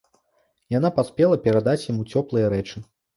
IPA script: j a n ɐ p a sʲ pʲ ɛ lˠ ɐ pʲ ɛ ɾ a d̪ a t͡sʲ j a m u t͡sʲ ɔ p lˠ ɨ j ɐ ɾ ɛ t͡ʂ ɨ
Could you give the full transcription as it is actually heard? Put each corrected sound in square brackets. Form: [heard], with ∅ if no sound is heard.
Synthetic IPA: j a n [a] p a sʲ pʲ ɛ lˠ ɐ pʲ ɛ ɾ a d̪ a t͡sʲ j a m u t͡sʲ ɔ p lˠ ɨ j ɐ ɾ ɛ t͡ʂ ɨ